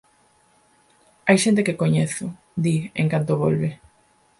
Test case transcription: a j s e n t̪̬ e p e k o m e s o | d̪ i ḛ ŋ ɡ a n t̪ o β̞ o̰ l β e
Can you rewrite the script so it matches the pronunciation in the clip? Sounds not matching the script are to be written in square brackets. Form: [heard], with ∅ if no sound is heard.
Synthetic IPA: a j [ʃ] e n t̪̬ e [k] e k o [ɲ] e [θ] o | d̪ i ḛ ŋ [k] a n t̪ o β̞ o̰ l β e